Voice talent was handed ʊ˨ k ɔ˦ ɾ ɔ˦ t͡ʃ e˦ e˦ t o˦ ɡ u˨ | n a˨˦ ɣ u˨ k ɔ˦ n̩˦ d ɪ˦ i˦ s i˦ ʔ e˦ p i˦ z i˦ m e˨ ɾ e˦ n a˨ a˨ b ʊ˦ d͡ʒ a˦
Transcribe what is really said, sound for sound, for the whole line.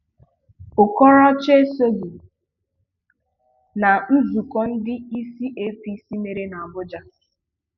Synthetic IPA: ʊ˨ k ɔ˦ ɾ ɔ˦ t͡ʃ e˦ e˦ s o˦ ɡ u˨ | n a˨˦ z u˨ k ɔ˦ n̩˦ d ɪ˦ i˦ s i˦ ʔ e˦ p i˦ s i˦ m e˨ ɾ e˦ n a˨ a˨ b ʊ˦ d͡ʒ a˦